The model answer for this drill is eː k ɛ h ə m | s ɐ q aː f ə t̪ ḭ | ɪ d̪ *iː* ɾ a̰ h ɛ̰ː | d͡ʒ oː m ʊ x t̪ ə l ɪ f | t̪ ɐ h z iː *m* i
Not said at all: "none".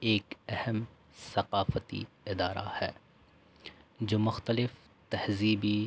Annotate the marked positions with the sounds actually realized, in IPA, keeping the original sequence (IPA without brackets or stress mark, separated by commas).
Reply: aː, b